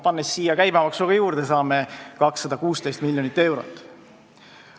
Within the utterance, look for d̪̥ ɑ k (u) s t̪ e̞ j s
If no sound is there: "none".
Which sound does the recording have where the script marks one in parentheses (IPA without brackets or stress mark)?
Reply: uː